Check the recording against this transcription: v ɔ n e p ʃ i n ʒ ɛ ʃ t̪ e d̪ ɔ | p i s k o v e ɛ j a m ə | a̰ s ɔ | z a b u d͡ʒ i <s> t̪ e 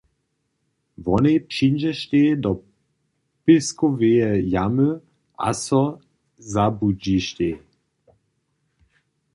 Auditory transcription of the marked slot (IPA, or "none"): ʃ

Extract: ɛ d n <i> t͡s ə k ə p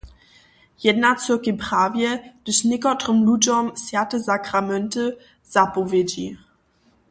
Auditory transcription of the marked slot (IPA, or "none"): a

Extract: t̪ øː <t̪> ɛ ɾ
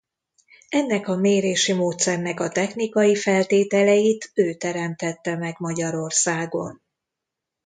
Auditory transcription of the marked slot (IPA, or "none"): t̪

